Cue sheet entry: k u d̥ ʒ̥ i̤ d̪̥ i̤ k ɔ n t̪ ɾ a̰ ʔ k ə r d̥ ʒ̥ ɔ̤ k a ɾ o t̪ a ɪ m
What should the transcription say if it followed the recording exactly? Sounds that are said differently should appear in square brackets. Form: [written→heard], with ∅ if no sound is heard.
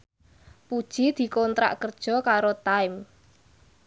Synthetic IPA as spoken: [k→p] u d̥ ʒ̥ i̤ d̪̥ i̤ k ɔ n t̪ ɾ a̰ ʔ k ə r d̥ ʒ̥ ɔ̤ k a ɾ o t̪ a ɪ m